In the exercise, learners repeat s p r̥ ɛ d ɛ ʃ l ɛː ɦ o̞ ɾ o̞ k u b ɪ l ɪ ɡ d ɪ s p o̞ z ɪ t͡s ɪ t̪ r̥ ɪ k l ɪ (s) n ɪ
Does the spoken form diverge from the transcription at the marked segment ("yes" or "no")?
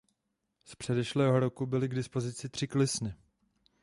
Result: no